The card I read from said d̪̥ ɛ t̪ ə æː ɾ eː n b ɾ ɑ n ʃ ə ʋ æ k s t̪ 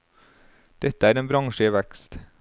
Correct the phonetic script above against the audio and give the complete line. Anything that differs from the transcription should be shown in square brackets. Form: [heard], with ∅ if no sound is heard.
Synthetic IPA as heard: d̪̥ ɛ t̪ ə æː ɾ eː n b ɾ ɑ [ŋ] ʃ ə ʋ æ k s t̪